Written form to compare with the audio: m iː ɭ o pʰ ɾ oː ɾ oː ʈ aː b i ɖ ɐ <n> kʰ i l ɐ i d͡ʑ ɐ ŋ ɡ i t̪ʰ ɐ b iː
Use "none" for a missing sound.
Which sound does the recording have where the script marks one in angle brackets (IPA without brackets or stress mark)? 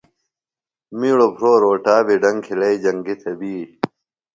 ŋ